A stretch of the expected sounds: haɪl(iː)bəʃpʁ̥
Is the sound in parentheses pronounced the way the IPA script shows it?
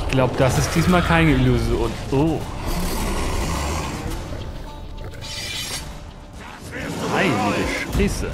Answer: yes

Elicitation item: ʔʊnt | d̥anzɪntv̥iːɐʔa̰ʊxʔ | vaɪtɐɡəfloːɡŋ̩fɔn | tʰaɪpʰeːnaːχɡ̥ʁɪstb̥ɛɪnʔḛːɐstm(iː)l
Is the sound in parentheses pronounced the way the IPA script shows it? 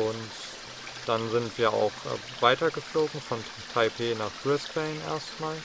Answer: no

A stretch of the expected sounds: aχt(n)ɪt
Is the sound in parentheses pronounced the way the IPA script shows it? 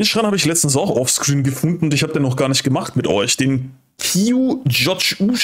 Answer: no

